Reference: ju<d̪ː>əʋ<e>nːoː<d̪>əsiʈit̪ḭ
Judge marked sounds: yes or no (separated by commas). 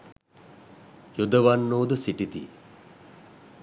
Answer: no, no, yes